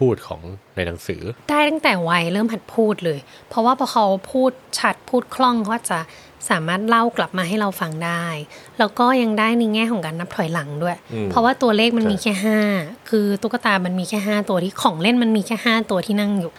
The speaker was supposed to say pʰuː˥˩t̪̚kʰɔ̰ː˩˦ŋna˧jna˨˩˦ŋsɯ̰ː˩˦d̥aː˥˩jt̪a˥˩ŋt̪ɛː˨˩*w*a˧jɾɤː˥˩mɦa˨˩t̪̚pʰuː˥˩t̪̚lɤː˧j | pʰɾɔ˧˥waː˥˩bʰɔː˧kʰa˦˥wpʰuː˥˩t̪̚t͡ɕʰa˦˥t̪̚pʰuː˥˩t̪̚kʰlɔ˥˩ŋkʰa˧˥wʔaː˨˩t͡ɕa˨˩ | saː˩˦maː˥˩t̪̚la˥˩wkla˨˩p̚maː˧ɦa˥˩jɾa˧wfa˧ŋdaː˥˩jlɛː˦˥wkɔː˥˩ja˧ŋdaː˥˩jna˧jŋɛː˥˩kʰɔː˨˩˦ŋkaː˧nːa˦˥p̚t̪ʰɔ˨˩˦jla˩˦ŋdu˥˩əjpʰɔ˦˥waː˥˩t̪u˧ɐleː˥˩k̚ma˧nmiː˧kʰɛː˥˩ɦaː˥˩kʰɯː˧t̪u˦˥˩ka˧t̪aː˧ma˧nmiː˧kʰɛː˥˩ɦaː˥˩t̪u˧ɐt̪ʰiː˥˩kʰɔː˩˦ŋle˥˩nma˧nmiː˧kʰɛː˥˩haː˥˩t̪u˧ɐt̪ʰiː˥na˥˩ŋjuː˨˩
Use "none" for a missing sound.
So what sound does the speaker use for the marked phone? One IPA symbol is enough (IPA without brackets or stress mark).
w